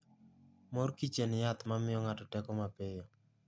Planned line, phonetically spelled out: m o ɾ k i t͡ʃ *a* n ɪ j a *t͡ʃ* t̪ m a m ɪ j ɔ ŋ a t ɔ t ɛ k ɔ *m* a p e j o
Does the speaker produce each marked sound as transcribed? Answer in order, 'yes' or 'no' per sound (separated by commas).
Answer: no, no, yes